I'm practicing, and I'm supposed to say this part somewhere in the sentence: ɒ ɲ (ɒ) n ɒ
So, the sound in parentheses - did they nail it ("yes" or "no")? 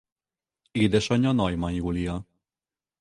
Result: yes